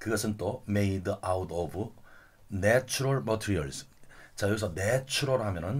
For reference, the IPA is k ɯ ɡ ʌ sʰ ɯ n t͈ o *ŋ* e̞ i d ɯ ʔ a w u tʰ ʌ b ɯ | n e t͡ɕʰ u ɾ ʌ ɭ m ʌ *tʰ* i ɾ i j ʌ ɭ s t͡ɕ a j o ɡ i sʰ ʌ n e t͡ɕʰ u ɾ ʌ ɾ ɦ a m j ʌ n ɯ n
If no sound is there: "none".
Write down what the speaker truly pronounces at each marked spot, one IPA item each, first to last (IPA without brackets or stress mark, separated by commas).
m, tʰ